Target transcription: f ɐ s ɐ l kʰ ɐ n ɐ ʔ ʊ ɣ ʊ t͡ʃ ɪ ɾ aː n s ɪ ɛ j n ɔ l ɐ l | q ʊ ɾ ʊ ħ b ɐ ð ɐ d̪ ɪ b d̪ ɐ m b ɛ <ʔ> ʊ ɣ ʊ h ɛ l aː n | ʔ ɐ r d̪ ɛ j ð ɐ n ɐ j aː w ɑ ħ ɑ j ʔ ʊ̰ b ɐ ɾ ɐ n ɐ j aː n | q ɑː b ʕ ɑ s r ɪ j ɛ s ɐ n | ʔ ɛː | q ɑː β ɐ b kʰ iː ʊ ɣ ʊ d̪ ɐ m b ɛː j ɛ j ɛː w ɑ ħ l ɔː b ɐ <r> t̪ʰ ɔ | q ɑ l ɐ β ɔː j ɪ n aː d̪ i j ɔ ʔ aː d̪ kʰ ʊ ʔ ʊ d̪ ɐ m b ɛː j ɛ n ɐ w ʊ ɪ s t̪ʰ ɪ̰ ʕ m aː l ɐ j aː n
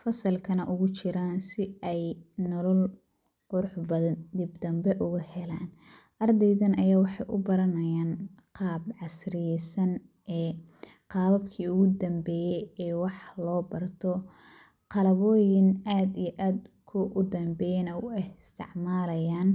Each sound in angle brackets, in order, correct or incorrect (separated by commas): correct, correct